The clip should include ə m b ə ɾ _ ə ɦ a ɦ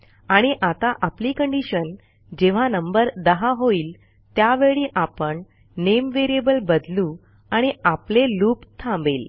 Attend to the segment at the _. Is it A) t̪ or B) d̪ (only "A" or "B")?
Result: B